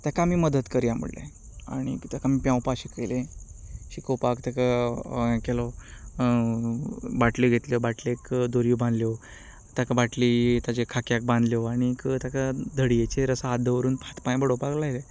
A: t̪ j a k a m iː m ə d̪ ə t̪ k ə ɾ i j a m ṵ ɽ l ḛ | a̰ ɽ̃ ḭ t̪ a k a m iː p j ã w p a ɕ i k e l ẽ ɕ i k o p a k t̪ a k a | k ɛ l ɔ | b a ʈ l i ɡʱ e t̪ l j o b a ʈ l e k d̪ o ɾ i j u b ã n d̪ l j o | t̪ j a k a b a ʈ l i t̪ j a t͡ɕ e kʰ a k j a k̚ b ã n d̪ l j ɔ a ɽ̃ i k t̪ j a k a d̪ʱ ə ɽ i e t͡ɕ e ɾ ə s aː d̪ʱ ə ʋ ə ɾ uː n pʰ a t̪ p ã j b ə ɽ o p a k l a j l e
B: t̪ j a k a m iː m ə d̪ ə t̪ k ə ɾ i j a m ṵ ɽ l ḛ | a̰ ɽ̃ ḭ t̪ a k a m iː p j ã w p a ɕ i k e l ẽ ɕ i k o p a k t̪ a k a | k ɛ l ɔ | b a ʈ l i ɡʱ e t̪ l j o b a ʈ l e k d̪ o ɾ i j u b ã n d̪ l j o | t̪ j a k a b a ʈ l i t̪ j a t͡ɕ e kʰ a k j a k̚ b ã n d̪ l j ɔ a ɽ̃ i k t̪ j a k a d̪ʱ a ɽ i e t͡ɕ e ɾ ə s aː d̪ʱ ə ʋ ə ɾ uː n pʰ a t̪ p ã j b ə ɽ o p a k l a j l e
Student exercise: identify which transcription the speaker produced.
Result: A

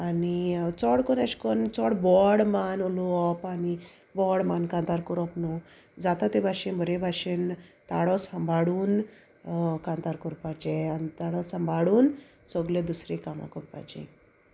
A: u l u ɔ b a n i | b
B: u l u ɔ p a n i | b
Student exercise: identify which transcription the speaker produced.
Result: B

